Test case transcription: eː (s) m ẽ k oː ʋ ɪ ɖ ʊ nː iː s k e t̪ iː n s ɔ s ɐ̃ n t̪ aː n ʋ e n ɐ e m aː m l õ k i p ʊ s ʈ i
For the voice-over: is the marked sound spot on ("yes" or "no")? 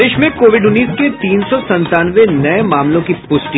no